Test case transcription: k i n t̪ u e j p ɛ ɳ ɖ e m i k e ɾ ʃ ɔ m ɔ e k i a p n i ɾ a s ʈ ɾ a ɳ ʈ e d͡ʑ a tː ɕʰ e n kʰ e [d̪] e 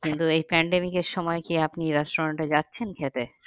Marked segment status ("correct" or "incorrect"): incorrect